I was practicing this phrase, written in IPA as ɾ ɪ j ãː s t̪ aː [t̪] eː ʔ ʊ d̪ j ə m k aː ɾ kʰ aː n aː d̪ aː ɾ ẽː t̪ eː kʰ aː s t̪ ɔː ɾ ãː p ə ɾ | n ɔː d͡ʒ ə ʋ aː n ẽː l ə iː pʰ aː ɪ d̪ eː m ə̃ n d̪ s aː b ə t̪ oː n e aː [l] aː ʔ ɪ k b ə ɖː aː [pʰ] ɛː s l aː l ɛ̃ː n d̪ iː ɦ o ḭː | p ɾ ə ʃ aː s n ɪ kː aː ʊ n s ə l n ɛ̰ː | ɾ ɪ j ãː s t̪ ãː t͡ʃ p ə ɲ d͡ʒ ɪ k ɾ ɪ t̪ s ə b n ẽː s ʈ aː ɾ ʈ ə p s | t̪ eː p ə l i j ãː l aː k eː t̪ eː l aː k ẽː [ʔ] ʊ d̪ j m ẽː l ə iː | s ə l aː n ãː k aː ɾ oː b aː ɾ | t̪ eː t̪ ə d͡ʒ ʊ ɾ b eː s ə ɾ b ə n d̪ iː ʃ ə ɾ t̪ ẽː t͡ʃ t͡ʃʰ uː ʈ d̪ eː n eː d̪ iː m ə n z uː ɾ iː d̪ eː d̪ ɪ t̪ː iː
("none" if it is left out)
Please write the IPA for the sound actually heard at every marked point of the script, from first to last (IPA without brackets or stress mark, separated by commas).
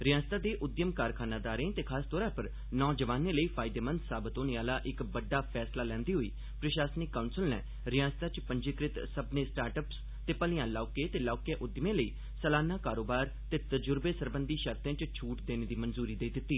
d̪, l, pʰ, ʔ